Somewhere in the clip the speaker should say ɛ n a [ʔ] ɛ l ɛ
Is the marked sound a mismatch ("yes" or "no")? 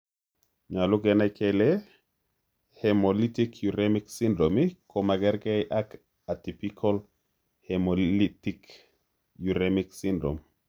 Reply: yes